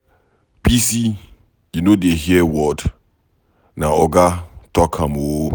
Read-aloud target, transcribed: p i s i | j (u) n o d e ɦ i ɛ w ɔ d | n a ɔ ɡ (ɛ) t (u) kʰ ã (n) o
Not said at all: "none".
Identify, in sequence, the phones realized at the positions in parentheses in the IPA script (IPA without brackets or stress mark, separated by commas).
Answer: u, a, ɔ, m